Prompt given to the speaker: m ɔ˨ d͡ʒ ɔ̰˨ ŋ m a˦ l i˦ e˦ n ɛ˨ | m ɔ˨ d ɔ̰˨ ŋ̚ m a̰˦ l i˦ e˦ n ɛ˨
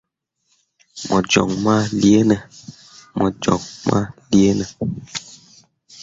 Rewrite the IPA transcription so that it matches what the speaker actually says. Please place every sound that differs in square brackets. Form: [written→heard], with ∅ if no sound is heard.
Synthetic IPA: m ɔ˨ d͡ʒ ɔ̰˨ ŋ m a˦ l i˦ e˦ n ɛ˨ | m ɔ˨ [d→d͡ʒ] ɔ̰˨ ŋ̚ m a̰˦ l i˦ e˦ n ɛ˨